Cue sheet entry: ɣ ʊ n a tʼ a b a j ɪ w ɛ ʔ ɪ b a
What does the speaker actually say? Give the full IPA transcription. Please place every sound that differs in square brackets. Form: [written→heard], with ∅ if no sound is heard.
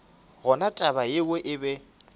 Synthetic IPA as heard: ɣ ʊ n a tʼ a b a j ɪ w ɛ ʔ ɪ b [a→ɛ]